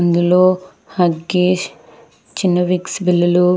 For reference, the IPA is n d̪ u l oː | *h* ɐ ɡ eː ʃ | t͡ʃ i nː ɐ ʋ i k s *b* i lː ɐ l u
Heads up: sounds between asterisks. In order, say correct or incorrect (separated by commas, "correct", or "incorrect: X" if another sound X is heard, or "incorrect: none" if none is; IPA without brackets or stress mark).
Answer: correct, correct